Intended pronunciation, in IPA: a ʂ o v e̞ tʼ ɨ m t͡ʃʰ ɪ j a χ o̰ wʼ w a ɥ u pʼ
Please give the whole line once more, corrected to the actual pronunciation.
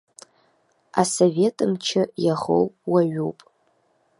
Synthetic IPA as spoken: a s o v e̞ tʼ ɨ m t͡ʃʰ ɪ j a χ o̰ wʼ w a ɥ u pʼ